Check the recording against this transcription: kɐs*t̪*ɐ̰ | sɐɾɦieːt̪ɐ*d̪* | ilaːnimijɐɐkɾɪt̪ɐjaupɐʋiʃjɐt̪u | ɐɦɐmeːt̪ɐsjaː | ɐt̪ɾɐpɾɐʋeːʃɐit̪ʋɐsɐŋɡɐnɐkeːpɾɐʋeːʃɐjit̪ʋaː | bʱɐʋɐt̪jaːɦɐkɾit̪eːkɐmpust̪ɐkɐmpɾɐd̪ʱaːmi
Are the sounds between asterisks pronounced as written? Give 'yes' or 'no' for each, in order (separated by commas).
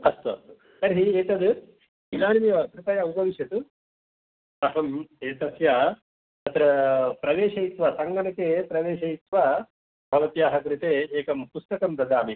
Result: yes, yes